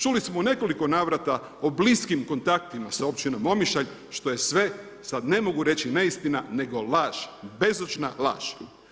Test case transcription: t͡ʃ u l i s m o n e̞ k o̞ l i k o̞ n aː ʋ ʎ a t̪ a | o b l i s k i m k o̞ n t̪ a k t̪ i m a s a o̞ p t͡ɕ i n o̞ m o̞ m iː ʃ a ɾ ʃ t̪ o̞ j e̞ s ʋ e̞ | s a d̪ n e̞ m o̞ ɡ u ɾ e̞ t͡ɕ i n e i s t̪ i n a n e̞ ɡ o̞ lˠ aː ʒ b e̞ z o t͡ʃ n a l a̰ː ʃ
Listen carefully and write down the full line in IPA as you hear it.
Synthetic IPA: t͡ʃ u l i s m o n e̞ k o̞ l i k o̞ n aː ʋ ɾ a t̪ a | o b l i s k i m k o̞ n t̪ a k t̪ i m a s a o̞ p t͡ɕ i n o̞ m o̞ m i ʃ a ʎ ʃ t̪ o̞ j e̞ s ʋ e̞ | s a d̪ n e̞ m o̞ ɡ u ɾ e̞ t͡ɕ i n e i s t̪ i n a n e̞ ɡ o̞ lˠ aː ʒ b e̞ z o t͡ʃ n a l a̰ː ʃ